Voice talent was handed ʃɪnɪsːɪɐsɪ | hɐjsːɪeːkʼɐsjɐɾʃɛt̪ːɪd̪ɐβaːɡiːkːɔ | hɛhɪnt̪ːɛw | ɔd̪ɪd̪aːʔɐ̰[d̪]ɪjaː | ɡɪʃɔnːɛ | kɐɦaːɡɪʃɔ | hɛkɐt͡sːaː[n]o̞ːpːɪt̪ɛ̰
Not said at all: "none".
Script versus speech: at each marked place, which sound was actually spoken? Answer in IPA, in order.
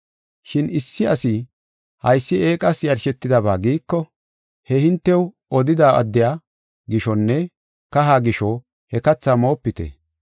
d̪ː, m

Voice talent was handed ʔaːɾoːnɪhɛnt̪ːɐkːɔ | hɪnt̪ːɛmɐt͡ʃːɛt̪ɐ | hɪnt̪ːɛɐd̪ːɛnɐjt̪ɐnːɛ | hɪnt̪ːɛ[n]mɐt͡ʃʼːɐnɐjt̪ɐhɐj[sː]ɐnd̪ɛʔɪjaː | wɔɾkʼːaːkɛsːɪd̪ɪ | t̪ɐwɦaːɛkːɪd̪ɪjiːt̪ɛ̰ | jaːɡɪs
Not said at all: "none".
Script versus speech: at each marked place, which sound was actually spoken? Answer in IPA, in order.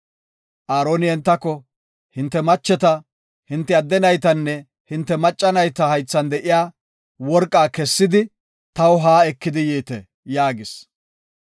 none, t͡sː

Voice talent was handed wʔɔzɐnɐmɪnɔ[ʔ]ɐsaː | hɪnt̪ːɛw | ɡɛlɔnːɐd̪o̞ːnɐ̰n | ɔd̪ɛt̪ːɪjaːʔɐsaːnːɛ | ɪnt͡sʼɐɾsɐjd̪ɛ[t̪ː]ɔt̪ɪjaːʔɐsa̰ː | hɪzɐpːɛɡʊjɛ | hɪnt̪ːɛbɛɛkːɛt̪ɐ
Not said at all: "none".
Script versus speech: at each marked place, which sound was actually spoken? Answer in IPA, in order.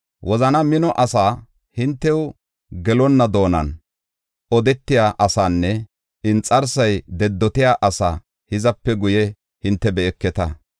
ʔ, d̪ː

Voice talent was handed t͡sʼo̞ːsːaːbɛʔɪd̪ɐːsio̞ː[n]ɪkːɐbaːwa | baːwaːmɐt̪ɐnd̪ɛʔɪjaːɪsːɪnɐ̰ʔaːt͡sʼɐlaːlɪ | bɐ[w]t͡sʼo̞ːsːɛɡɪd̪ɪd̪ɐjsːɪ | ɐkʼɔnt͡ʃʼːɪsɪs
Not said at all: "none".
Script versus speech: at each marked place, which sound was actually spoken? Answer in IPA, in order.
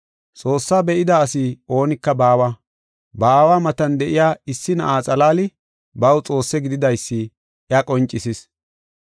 n, w

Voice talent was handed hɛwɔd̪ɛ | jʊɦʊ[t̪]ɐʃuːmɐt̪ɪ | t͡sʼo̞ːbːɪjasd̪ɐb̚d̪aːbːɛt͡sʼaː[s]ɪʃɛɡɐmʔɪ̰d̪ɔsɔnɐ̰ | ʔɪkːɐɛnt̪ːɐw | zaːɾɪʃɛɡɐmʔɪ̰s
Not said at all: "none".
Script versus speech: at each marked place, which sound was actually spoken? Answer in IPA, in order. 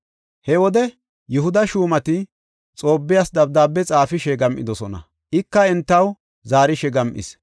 d̪, f

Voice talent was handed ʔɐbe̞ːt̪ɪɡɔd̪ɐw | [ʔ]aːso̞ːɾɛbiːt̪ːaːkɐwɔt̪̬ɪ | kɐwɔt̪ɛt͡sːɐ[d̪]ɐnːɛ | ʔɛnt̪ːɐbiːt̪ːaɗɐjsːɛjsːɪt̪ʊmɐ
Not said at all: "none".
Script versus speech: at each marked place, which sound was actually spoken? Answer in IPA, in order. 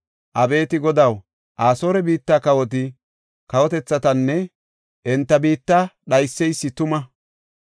ʔ, t̪

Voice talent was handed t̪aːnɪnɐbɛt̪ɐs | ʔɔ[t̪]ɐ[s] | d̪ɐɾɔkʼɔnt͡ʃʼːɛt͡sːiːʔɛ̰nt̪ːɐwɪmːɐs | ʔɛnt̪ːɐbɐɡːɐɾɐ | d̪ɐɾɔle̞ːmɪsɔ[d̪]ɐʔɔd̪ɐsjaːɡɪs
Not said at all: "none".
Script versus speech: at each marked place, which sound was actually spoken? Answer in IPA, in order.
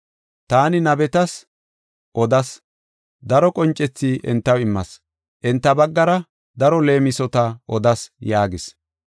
d̪, s, t̪

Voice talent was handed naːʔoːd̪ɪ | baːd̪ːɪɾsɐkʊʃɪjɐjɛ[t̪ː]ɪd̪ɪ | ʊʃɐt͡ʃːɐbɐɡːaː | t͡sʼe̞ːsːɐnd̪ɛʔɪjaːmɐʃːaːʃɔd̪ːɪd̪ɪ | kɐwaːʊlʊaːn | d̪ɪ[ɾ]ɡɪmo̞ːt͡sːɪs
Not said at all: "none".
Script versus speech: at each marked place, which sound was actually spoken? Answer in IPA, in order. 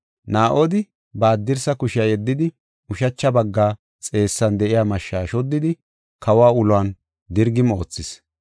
d̪ː, ɾ

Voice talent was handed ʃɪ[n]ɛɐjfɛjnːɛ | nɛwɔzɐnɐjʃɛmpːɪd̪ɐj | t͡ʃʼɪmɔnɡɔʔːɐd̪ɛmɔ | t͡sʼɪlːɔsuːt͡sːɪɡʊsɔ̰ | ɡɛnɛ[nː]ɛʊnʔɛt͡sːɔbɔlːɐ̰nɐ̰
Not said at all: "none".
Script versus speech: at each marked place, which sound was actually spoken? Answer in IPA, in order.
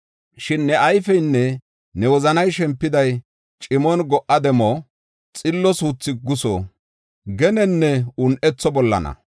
nː, nː

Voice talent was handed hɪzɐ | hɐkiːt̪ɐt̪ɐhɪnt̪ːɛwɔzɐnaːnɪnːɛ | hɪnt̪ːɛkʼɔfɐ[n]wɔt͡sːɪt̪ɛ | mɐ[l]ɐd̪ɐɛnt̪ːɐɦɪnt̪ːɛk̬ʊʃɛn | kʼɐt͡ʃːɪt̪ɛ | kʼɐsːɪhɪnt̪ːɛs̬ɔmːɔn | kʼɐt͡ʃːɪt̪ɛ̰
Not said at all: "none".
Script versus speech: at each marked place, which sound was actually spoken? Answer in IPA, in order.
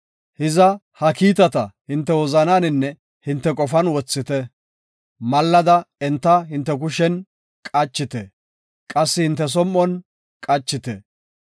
n, lː

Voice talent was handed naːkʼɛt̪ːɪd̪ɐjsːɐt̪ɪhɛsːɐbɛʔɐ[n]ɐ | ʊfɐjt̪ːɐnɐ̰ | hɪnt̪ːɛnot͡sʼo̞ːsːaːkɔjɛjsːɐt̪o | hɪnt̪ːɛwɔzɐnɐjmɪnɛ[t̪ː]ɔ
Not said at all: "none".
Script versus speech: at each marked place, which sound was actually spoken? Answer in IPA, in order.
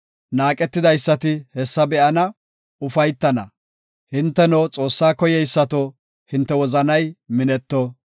n, t̪ː

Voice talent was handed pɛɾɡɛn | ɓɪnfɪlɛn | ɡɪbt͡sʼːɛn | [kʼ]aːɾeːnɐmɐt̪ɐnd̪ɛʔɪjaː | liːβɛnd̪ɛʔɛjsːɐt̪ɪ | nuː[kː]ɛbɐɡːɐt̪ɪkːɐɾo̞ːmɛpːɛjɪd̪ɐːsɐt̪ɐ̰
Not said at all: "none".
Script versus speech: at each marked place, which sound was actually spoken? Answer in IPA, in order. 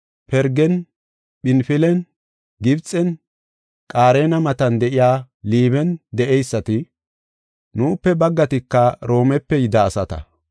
kʼ, pː

